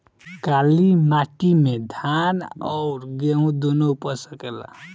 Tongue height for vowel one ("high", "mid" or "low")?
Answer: low